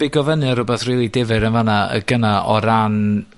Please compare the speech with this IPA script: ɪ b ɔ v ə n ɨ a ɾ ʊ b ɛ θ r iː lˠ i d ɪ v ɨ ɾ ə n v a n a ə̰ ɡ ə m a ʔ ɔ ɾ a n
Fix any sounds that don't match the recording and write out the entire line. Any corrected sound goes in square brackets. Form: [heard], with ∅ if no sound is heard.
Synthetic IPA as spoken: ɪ [ɡ] ɔ v ə n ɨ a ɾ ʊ b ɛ θ r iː lˠ i d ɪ v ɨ ɾ ə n v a n a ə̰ ɡ ə [n] a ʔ ɔ ɾ a n